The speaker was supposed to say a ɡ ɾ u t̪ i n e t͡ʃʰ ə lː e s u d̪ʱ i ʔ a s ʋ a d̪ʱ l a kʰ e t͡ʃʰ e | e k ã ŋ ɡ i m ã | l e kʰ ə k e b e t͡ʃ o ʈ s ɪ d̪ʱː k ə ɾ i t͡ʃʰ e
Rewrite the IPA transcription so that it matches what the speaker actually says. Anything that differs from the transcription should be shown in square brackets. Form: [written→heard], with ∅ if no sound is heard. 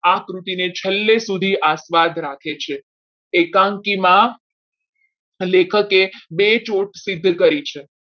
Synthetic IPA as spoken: a [ɡ→k] ɾ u t̪ i n e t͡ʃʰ ə lː e s u d̪ʱ i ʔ a s ʋ a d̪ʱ [l→ɾ] a kʰ e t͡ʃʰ e | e k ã ŋ [ɡ→k] i m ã | l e kʰ ə k e b e t͡ʃ o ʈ s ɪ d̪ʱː k ə ɾ i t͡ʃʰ e